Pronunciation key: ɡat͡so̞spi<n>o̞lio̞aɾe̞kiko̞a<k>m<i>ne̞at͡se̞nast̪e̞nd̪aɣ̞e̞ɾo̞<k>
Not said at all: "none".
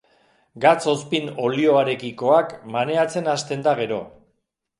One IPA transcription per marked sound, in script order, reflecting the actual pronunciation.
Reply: n, k, a, none

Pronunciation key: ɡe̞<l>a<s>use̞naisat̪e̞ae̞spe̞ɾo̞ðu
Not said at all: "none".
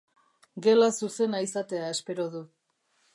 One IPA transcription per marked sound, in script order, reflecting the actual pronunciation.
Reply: l, s

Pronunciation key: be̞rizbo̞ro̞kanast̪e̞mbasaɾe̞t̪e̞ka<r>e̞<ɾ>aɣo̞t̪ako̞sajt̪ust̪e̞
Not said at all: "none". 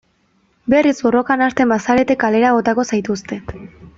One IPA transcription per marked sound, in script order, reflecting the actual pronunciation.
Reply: l, ɾ

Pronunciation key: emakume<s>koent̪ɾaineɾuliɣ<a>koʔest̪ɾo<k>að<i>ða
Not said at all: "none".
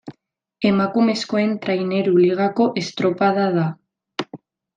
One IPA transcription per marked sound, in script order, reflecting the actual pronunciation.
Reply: s, a, p, a

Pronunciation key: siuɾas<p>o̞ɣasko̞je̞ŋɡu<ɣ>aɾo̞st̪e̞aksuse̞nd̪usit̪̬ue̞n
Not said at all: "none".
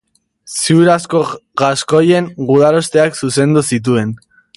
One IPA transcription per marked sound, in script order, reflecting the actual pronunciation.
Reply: k, ð

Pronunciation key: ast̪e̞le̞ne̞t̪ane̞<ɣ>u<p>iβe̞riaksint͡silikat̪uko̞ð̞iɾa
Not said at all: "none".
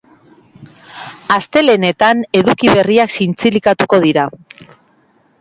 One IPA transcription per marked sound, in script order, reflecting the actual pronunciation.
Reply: ð, k

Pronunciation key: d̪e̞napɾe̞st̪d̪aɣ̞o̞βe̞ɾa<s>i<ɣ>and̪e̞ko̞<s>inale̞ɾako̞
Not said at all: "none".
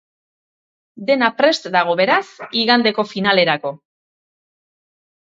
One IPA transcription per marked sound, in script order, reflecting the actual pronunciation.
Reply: s, ɣ, f

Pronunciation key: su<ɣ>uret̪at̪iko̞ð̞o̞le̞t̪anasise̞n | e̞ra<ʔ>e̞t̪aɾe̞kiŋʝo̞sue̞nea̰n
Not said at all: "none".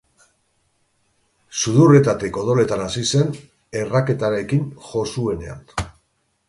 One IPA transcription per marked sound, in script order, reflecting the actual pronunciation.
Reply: ð, k

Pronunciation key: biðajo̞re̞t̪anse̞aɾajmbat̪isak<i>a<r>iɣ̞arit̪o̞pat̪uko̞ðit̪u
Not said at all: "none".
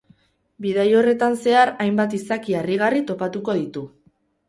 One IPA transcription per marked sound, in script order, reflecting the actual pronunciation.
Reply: i, r

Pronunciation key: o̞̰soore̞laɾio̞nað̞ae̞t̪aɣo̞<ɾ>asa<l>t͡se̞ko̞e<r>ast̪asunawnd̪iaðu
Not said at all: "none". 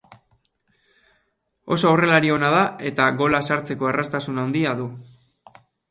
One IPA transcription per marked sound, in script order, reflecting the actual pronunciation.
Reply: l, ɾ, r

